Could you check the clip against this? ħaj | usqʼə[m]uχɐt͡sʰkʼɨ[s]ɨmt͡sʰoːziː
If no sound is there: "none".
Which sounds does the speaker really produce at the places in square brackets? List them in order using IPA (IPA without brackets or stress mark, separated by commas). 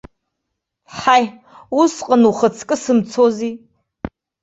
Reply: n, s